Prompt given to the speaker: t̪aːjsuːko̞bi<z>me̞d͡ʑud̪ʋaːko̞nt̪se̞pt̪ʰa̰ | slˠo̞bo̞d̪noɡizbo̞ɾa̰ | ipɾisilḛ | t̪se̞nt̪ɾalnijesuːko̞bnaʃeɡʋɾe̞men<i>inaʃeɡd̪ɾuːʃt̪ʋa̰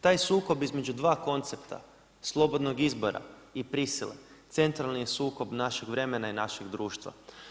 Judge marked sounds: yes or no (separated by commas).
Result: yes, no